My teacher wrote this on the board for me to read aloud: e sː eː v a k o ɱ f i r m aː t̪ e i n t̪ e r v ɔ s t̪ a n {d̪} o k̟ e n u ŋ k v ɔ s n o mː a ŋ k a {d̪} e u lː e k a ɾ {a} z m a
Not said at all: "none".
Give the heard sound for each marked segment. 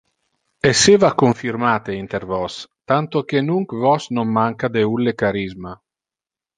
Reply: t̪, d̪, i

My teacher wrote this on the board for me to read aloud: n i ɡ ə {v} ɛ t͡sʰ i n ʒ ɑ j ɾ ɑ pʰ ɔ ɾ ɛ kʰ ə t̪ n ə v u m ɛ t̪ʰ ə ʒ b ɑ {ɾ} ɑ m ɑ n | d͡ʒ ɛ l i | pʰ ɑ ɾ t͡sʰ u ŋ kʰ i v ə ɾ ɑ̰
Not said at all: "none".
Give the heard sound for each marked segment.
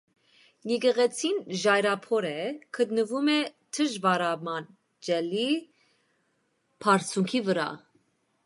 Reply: ʁ, ɾ

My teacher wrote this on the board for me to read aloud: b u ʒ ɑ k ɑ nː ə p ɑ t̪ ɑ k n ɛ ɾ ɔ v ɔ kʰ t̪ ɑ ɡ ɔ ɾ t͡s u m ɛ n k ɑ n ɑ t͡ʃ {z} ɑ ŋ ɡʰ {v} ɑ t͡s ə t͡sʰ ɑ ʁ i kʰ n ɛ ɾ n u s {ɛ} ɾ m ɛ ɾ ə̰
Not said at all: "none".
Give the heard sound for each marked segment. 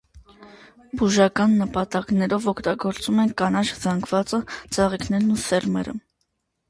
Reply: z, v, ɛ

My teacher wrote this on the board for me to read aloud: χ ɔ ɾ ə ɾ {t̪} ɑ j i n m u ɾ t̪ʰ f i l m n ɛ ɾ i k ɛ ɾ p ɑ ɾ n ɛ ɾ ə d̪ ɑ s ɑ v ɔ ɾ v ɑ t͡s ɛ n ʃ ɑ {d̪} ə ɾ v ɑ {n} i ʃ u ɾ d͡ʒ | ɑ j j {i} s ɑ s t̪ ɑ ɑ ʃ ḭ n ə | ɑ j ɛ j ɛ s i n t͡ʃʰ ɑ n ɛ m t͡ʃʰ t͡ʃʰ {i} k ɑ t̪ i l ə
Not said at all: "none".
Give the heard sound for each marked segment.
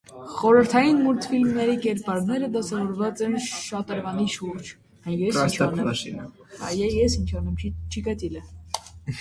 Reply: t̪ʰ, t̪, n, ɛ, i

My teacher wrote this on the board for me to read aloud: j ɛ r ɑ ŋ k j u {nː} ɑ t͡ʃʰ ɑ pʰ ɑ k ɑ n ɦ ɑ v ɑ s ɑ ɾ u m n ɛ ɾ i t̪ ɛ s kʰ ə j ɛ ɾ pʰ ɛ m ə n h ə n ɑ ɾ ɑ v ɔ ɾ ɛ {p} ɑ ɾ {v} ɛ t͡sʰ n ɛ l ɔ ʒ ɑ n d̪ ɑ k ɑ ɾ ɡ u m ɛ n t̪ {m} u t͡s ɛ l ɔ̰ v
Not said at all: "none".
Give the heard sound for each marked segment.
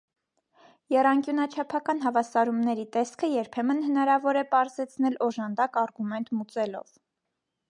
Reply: n, p, z, m

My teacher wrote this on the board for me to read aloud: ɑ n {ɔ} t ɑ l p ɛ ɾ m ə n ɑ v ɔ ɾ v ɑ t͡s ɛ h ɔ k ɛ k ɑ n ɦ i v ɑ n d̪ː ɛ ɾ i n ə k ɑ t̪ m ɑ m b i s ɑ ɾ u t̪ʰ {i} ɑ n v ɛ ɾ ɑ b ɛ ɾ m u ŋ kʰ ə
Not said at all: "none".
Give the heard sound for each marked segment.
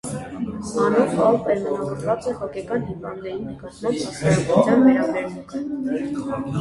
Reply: ɔ, j

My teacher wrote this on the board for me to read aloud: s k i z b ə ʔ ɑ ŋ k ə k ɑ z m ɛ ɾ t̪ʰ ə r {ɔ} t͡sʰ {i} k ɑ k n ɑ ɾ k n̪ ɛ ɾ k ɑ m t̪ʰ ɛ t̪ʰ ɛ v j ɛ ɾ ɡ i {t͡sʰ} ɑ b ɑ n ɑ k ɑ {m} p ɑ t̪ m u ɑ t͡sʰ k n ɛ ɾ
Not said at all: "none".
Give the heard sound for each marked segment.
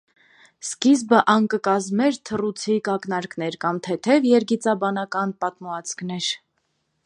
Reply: u, i, t͡s, n

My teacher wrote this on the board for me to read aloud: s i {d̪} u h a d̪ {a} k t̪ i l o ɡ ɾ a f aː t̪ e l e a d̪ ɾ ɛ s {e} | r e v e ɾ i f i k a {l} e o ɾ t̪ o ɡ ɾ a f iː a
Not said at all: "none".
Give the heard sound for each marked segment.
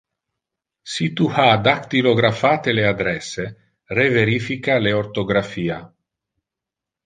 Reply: t̪, a, e, l

